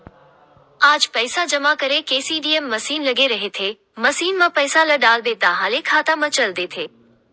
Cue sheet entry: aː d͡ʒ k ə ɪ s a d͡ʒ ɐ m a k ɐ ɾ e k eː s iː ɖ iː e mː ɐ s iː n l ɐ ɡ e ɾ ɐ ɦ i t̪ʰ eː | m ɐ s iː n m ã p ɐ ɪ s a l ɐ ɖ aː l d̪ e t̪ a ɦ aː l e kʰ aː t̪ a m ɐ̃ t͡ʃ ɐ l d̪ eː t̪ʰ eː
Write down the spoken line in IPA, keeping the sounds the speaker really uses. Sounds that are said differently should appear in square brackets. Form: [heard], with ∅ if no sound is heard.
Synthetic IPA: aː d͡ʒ [p] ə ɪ s a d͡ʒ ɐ m a k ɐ ɾ e k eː s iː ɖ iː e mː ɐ s iː n l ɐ ɡ e ɾ ɐ ɦ [e] t̪ʰ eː | m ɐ s iː n m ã p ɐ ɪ s a l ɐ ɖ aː l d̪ e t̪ a ɦ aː l e kʰ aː t̪ a m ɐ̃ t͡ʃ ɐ l d̪ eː t̪ʰ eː